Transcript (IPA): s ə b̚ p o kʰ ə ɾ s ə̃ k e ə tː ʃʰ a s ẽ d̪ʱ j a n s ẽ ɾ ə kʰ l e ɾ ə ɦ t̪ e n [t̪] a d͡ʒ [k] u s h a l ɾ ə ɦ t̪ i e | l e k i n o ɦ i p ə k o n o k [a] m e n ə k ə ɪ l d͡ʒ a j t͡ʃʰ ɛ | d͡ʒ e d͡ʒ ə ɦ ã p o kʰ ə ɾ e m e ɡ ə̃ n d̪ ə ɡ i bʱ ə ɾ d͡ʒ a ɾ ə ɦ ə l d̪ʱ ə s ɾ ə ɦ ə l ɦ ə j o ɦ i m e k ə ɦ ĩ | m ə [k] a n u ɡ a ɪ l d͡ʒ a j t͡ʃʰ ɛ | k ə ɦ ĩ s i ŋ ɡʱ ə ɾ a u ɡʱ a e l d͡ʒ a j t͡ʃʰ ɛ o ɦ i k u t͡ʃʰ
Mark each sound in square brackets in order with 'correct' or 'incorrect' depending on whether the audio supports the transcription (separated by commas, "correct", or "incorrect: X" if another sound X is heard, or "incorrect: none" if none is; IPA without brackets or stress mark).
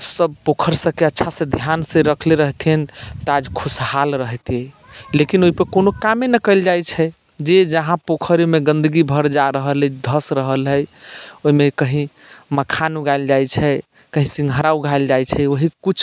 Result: correct, incorrect: kʰ, correct, incorrect: kʰ